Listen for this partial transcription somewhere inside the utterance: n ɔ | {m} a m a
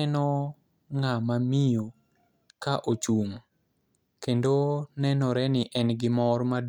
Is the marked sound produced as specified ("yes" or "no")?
no